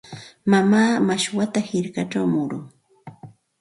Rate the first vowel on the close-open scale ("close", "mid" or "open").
open